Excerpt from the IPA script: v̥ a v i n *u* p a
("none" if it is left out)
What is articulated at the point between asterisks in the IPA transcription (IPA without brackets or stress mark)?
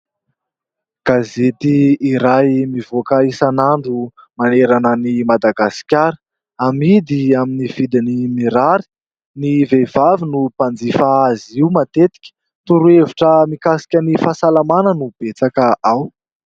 u